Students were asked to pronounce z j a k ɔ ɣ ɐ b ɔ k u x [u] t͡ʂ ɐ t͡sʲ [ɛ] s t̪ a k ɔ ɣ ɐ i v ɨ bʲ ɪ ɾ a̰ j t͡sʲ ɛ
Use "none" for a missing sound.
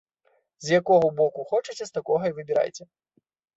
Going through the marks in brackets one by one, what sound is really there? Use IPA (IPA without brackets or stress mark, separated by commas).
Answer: ɔ, ɛ